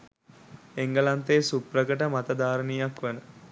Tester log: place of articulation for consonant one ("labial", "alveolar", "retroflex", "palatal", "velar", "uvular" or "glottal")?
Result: velar